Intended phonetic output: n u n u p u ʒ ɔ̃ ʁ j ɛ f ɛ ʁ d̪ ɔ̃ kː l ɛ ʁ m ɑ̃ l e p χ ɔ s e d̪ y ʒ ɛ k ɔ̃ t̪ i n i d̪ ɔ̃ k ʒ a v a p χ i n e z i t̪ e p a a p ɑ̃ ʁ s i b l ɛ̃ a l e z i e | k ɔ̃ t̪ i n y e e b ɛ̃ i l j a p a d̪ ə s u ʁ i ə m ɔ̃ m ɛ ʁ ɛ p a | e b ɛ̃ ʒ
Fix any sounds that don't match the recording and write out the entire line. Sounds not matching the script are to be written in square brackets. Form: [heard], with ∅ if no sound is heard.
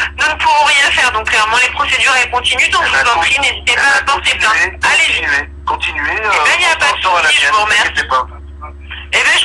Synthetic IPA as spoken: n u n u p u [v] ɔ̃ ʁ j [ɛ̃] f ɛ ʁ d̪ ɔ̃ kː l ɛ ʁ m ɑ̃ l e p χ ɔ s e d̪ y [ʁ] ɛ k ɔ̃ t̪ i n [y] d̪ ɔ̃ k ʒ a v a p χ i n e z i t̪ e p a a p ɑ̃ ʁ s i b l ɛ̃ a l e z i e | k ɔ̃ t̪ i n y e e b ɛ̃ i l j a p a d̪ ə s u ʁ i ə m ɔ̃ m ɛ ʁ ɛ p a | e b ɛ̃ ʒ